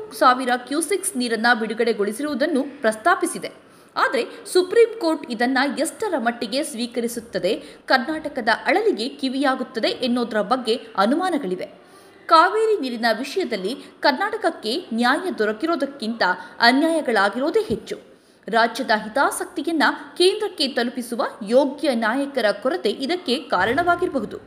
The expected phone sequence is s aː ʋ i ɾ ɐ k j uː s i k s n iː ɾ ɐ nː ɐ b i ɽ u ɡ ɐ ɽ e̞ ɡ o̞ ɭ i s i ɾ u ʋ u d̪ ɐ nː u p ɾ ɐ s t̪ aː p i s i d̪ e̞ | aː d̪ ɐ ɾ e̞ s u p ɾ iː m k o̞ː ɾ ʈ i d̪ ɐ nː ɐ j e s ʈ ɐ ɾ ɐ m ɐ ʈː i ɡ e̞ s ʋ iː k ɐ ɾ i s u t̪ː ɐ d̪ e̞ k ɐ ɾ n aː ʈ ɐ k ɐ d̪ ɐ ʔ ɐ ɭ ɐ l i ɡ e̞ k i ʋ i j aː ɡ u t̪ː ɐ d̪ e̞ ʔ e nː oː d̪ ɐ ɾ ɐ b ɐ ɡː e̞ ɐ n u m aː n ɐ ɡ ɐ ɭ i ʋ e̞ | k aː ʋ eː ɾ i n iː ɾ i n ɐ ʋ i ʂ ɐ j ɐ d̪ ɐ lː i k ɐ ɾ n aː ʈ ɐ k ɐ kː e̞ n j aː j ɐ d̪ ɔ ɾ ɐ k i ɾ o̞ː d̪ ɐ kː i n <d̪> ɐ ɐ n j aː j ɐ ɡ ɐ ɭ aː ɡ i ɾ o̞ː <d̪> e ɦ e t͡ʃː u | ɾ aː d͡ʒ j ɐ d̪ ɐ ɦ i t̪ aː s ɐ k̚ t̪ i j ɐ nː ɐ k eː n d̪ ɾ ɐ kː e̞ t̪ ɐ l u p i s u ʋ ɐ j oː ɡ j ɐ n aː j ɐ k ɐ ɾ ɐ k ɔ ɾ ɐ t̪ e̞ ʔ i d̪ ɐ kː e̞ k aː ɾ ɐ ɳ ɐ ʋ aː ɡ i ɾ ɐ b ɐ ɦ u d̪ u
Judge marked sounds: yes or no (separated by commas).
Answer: no, yes